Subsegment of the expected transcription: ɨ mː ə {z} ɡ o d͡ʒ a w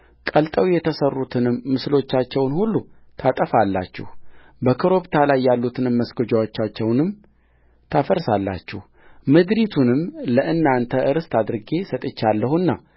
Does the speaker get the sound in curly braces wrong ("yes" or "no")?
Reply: yes